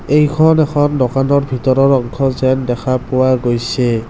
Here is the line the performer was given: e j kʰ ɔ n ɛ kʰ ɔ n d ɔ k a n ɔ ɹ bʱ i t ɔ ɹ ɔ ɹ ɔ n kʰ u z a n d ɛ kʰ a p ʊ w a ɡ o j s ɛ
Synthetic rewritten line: e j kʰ ɔ n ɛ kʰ ɔ n d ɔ k a n ɔ ɹ bʱ i t ɔ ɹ ɔ ɹ ɔ ŋ kʰ ɔ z ɛ n d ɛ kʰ a p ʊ w a ɡ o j s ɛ

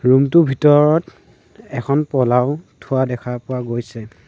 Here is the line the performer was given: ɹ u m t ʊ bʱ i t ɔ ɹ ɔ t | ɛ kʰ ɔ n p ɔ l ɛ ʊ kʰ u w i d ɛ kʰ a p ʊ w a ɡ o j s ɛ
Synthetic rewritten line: ɹ u m t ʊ bʱ i t ɔ ɹ ɔ t | ɛ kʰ ɔ n p ɔ l a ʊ tʰ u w a d ɛ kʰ a p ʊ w a ɡ o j s ɛ

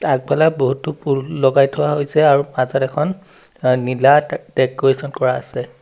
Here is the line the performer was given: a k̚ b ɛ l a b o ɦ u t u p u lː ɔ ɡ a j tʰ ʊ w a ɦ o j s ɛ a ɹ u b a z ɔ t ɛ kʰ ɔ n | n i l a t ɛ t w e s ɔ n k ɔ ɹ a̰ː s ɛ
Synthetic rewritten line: a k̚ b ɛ l a b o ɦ u t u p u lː ɔ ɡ a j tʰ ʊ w a ɦ o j s ɛ a ɹ u m a z ɔ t ɛ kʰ ɔ n | n i l a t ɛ k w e s ɔ n k ɔ ɹ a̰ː s ɛ

